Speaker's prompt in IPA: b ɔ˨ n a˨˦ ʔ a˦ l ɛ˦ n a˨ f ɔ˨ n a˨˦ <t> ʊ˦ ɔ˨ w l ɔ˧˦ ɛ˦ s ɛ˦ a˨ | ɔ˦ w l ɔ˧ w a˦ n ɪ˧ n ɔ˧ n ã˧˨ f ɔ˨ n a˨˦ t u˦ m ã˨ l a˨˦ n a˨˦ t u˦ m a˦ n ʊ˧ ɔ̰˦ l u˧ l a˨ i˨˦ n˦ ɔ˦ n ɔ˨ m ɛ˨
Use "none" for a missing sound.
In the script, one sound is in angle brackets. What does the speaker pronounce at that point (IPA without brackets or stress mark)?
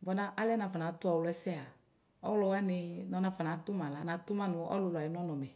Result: t